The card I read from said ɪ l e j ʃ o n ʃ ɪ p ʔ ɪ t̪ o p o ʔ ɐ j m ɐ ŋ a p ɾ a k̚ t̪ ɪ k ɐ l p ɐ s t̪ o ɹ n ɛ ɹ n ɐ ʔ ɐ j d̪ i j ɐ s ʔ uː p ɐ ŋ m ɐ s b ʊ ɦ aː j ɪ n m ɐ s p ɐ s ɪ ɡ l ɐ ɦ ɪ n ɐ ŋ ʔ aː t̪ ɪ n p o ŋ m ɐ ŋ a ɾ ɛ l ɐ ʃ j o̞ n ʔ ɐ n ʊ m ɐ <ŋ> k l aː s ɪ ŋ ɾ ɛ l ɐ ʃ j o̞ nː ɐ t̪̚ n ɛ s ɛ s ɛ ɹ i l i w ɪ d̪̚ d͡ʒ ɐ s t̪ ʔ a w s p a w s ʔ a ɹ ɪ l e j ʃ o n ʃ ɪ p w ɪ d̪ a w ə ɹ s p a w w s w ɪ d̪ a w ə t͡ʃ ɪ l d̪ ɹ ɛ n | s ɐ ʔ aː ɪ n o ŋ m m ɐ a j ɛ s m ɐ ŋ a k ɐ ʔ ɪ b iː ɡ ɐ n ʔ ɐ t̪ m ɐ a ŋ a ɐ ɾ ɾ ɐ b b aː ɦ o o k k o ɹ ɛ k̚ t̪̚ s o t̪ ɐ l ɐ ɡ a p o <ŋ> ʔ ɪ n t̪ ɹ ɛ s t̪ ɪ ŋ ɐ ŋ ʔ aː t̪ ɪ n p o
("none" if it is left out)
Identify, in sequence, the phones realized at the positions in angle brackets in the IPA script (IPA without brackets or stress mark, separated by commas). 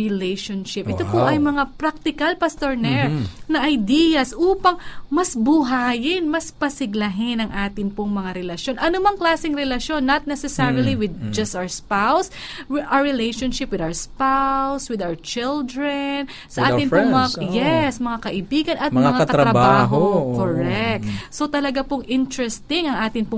ŋ, ŋ